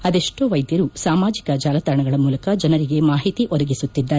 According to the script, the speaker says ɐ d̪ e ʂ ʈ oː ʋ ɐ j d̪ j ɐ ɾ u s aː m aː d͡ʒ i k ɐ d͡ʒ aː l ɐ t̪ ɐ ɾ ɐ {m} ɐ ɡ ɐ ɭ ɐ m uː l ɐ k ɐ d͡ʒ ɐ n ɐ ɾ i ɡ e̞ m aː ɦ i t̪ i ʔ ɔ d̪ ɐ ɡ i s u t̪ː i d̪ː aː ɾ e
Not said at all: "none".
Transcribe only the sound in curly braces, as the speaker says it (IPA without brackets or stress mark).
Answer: ɳ